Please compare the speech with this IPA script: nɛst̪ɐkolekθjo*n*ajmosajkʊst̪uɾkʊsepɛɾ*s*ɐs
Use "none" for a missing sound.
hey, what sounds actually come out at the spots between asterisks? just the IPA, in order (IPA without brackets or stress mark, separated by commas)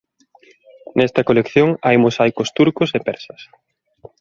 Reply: ŋ, s